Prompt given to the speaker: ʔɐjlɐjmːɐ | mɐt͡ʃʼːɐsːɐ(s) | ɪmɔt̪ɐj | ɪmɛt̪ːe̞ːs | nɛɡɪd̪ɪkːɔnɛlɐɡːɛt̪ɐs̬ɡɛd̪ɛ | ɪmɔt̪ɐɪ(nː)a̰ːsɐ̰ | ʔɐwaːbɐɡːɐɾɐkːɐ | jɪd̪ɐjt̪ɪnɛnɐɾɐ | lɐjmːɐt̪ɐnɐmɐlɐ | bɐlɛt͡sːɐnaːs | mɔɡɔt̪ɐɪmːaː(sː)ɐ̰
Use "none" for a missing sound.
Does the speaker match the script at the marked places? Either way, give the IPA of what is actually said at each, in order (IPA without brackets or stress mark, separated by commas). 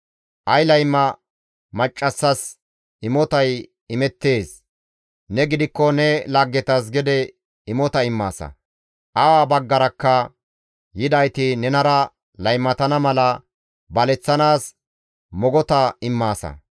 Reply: s, mː, s